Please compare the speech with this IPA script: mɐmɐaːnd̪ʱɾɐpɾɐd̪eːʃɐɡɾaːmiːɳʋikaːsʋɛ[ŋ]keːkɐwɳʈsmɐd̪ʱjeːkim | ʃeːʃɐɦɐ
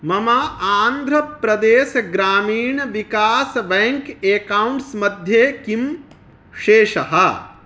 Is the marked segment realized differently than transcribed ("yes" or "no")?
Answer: no